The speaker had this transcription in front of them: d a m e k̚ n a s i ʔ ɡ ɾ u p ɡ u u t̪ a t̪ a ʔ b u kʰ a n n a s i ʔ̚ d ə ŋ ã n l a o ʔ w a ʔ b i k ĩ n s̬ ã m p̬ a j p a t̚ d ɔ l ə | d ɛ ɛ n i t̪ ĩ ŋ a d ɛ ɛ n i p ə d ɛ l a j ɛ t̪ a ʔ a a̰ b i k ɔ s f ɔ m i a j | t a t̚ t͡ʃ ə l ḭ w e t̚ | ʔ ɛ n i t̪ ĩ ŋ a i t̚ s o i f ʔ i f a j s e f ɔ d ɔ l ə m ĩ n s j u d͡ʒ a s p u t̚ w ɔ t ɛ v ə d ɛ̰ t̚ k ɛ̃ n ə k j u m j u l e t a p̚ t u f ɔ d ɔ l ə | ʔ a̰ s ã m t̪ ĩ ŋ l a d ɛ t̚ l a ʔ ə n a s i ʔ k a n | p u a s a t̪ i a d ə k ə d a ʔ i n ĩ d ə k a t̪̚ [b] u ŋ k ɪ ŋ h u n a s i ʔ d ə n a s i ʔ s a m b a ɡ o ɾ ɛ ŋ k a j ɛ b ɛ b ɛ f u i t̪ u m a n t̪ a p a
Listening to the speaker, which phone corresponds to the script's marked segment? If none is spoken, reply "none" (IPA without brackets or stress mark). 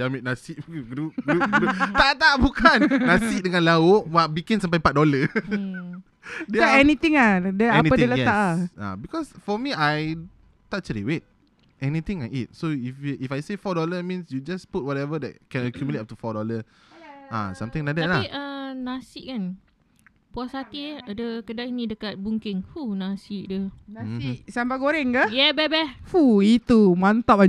b